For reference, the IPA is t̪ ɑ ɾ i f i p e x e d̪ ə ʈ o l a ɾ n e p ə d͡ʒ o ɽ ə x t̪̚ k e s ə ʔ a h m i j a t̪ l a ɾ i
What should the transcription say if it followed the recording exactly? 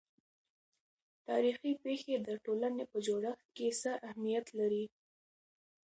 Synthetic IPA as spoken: t̪ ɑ ɾ i x i p e x e d̪ ə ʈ o l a n e p ə d͡ʒ o ɽ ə x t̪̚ k e s ə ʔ a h m i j a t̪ l a ɾ i